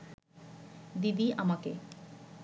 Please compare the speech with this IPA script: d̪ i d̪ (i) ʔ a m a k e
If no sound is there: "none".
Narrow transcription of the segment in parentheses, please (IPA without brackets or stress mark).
i